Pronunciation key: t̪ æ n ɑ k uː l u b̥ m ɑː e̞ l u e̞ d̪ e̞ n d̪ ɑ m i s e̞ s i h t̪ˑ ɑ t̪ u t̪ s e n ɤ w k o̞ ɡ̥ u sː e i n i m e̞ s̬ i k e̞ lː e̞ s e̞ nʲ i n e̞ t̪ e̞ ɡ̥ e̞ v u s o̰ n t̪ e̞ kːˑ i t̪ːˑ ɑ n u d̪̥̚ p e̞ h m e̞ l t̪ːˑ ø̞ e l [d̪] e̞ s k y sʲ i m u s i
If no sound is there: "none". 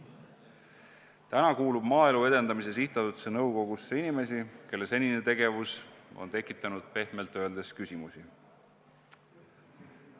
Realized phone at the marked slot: d̪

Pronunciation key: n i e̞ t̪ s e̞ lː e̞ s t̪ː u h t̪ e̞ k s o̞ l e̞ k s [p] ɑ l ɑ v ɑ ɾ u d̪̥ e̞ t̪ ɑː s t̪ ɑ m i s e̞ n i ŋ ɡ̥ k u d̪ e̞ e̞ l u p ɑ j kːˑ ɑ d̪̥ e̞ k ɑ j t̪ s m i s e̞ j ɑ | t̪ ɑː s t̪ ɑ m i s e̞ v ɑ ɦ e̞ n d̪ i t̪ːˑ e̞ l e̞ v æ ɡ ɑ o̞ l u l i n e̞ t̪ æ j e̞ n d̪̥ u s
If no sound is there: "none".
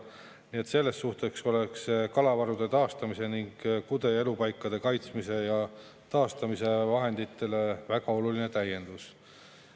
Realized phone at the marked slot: k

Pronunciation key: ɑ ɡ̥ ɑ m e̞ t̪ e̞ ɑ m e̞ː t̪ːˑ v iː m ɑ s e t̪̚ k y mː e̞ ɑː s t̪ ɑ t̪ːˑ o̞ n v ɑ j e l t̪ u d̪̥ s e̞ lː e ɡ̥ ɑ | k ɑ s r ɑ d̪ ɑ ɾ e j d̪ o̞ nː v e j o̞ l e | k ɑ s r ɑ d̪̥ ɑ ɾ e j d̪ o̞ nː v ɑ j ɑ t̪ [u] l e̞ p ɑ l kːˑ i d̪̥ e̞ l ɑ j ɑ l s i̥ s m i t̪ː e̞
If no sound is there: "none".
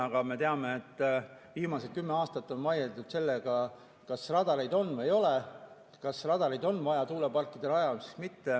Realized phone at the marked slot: uː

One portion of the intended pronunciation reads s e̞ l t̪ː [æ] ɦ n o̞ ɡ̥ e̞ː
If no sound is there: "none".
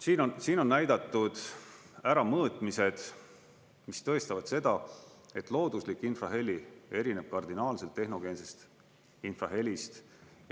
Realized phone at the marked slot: e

